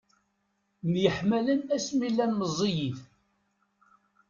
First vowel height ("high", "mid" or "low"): mid